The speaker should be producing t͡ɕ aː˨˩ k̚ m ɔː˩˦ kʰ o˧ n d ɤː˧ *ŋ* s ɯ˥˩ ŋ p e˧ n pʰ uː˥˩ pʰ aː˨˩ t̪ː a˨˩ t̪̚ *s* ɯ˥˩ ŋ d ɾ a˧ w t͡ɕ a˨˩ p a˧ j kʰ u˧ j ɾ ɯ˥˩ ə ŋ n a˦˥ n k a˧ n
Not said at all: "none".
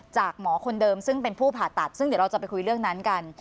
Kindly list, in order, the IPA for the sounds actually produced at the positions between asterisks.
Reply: m, s

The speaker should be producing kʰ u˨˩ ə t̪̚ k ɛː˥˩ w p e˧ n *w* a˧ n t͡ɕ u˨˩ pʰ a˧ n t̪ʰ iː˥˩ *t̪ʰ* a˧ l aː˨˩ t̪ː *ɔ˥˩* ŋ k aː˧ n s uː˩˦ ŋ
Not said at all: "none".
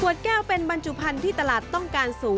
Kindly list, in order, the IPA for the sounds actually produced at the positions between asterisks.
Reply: b, t̪, ɔ˥˩

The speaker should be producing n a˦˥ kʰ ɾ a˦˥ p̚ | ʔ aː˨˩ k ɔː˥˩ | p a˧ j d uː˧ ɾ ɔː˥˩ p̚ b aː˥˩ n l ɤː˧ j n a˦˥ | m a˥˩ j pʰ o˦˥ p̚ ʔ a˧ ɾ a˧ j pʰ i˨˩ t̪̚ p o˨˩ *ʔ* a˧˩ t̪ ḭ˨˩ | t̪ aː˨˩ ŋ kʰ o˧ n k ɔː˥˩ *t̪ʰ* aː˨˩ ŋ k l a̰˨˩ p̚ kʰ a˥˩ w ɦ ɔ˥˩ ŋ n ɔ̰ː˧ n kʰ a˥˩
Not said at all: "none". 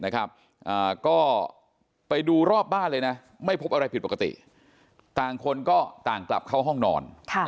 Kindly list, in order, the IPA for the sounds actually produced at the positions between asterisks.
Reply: k, t̪

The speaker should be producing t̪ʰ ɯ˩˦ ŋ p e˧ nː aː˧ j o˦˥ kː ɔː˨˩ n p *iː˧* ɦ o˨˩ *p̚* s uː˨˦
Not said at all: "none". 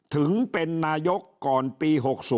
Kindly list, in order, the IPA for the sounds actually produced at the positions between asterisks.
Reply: iː˧, k̚

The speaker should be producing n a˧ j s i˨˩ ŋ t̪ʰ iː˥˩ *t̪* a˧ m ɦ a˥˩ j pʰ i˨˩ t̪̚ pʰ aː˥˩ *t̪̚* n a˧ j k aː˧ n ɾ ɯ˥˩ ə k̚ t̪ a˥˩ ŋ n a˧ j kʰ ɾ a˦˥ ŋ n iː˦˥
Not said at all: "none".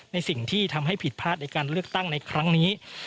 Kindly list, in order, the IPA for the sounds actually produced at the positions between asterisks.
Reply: t̪ʰ, t̪̚

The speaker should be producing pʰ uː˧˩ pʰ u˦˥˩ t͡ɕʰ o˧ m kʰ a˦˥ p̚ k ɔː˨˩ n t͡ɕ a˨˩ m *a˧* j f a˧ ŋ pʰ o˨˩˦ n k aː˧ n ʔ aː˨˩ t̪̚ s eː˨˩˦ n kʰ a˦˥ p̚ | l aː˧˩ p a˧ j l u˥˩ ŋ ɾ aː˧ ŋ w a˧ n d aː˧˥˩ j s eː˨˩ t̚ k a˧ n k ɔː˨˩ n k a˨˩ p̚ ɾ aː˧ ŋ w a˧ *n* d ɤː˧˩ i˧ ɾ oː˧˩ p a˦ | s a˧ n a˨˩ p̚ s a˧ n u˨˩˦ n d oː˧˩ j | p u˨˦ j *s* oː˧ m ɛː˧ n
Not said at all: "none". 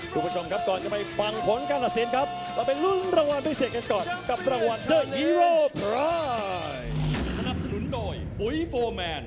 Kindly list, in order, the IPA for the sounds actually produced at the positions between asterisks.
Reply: a˧, n, f

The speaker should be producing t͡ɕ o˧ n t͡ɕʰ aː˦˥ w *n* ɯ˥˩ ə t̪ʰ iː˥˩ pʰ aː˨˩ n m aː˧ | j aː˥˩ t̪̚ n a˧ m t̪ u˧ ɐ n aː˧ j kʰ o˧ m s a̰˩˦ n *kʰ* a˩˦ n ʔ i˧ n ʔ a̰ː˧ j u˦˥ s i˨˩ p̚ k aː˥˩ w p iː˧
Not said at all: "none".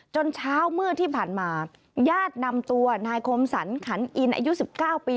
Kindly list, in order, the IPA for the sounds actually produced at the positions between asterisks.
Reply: m, kʰ

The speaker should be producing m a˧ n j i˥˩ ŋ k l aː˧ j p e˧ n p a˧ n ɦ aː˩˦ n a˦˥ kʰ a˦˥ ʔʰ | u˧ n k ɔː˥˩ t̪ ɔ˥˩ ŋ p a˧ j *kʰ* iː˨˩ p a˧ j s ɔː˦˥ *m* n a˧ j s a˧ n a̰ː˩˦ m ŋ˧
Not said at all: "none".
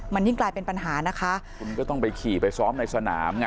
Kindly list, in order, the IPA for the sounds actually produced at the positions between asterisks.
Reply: kʰ, m

